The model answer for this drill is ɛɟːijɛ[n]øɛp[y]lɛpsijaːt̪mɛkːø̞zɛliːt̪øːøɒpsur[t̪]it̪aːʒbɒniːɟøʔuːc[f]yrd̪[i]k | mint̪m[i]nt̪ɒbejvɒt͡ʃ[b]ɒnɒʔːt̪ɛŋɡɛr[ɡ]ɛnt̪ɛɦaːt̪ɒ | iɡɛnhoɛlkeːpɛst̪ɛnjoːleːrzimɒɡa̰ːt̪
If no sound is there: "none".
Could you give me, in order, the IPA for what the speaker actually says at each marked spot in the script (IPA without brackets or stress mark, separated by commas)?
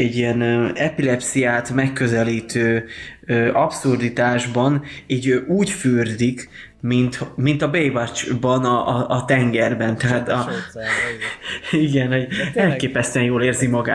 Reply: n, i, d̪, f, i, i, b, b